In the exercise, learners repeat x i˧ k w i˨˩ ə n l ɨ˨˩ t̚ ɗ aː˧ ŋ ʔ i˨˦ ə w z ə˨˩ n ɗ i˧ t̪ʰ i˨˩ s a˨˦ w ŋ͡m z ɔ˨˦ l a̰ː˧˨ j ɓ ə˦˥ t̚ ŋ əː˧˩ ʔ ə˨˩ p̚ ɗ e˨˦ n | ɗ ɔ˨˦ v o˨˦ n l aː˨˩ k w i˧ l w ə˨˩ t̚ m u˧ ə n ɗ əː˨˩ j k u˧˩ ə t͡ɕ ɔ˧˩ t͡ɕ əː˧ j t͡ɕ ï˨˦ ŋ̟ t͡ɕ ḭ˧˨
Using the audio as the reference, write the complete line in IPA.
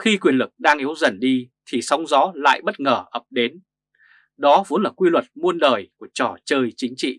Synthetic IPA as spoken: x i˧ k w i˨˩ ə n l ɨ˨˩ k̚ ɗ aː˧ ŋ ʔ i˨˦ ə w z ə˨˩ n ɗ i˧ t̪ʰ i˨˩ s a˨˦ w ŋ͡m z ɔ˨˦ l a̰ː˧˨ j ɓ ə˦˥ t̚ ŋ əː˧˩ ʔ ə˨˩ p̚ ɗ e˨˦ n | ɗ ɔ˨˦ v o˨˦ n l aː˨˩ k w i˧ l w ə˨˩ t̚ m u˧ ə n ɗ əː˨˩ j k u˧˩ ə t͡ɕ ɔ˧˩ t͡ɕ əː˧ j t͡ɕ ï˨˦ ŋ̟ t͡ɕ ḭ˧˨